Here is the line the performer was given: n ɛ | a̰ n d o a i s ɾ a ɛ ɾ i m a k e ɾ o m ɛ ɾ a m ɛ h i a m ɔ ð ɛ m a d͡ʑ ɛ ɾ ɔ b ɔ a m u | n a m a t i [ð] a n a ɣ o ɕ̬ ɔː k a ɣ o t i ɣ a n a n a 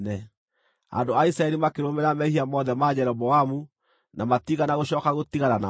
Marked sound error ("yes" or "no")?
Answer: yes